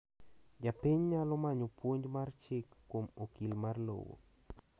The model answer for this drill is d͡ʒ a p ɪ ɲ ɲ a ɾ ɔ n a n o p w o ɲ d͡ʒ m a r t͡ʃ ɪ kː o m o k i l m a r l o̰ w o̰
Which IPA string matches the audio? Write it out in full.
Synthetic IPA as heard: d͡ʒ a p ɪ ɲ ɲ a l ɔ m a ɲ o p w o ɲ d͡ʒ m a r t͡ʃ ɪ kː o m o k i l m a r l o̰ w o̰